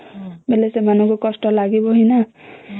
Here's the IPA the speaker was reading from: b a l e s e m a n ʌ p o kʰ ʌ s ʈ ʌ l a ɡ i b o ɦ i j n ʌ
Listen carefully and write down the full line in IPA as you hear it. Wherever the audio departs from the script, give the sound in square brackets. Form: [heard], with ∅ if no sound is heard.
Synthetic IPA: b [e] l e s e m a n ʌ [k] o [k] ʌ s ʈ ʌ l a ɡ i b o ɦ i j n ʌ